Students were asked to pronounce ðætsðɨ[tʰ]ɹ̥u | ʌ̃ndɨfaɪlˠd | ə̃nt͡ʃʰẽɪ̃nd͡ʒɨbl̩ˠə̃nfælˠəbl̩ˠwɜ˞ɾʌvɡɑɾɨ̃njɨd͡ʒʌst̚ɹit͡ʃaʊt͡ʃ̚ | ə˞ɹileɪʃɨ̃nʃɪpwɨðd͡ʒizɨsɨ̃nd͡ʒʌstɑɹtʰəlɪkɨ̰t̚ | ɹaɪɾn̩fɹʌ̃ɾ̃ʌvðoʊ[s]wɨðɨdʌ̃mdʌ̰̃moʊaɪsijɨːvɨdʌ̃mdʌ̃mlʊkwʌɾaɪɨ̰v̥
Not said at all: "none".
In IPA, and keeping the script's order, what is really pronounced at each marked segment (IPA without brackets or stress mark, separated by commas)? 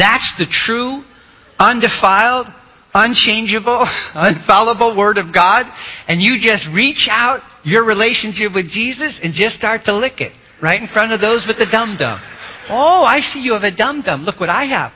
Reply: tʰ, z